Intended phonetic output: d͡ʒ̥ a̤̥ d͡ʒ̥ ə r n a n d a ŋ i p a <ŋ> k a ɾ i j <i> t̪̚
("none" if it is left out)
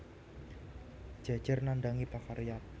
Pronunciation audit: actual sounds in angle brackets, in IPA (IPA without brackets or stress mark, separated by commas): none, a